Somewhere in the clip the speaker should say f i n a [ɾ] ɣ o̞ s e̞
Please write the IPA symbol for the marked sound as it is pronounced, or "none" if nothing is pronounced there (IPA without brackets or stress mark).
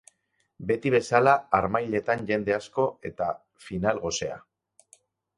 l